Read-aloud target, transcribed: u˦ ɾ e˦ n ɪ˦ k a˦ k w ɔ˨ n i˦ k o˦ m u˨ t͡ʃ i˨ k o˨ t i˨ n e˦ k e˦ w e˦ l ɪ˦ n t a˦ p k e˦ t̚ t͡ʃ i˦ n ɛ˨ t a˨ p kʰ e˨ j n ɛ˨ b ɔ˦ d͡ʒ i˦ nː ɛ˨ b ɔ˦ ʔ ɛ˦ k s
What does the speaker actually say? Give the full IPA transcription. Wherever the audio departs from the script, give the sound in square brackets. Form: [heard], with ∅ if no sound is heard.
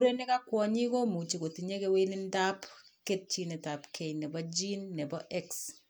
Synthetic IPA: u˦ ɾ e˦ n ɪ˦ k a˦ k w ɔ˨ [ɲ] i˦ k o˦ m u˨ t͡ʃ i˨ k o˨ t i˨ [ɲ] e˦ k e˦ w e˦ l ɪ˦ n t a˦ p k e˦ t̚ t͡ʃ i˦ n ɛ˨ t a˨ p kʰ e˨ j n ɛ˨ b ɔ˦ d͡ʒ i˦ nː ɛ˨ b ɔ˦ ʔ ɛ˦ k s